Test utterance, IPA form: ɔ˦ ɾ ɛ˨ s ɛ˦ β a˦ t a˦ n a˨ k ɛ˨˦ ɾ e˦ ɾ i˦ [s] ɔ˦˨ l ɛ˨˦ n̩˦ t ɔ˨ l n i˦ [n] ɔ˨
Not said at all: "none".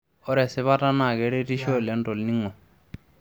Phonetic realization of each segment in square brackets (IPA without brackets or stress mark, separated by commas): ʃ, ŋ